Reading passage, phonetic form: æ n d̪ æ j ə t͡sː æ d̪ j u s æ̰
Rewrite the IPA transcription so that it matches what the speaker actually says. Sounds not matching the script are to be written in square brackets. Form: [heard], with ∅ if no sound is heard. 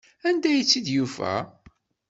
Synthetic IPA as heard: æ n d̪ æ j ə t͡sː [i] d̪ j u [f] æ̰